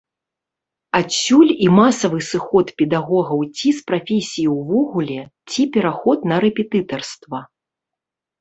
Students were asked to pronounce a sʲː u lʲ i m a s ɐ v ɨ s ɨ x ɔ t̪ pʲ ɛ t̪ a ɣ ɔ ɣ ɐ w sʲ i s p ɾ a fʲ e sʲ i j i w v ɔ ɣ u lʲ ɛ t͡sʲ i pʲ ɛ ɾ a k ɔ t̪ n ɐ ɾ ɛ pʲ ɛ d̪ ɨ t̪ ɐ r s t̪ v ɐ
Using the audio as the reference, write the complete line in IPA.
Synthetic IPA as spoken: a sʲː u lʲ i m a s ɐ v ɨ s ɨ x ɔ t̪ pʲ ɛ d̪ a ɣ ɔ ɣ ɐ w t͡sʲ i s p ɾ a fʲ e sʲ i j i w v ɔ ɣ u lʲ ɛ t͡sʲ i pʲ ɛ ɾ a x ɔ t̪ n ɐ ɾ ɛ pʲ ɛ t̪ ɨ t̪ ɐ r s t̪ v ɐ